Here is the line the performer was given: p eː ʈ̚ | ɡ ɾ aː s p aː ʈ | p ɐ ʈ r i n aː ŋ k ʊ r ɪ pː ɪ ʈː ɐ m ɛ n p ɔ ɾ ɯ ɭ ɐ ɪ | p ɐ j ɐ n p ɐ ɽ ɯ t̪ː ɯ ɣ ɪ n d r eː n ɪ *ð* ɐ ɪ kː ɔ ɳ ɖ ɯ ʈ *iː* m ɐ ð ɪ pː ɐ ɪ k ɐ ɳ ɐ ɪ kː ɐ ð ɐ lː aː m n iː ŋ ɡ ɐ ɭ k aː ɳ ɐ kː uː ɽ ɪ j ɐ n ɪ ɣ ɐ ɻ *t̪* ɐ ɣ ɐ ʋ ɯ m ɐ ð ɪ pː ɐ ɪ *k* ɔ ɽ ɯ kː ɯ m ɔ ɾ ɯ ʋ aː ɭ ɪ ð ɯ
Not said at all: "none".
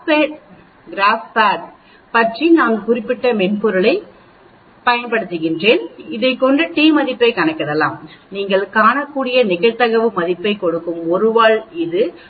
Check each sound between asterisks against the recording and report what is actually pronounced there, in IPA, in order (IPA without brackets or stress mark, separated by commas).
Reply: ð, iː, t̪, k